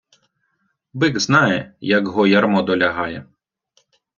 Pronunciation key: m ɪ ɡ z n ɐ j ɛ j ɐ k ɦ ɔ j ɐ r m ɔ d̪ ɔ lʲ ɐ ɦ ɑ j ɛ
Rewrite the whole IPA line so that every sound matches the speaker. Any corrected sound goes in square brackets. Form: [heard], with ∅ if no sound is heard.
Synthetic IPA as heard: [b] ɪ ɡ z n [ɑ] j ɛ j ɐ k ɦ ɔ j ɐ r m ɔ d̪ ɔ lʲ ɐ ɦ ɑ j ɛ